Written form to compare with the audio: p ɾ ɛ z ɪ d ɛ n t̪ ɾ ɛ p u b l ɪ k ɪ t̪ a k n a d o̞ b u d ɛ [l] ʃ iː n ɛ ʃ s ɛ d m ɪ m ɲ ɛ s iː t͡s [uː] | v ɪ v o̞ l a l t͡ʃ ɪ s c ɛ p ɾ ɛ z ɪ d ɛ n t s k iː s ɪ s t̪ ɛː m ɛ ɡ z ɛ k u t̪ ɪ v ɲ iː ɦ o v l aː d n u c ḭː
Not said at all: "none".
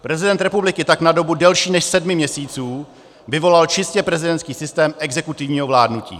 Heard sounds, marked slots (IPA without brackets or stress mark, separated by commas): l, uː